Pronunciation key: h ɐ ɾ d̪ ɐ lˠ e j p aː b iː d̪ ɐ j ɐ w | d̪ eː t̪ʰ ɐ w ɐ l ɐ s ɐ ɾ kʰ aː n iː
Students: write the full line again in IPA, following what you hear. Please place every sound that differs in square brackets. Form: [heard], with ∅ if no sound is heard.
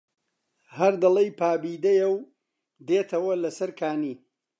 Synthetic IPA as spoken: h ɐ ɾ d̪ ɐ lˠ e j p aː b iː d̪ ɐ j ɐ w | d̪ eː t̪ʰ ɐ w ɐ l ɐ s ɐ ɾ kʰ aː n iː